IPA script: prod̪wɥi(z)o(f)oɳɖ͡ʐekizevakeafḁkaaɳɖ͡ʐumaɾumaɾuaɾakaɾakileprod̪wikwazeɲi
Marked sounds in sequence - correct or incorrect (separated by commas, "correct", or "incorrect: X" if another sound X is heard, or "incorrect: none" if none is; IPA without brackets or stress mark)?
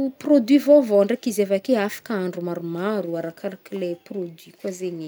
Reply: incorrect: v, incorrect: v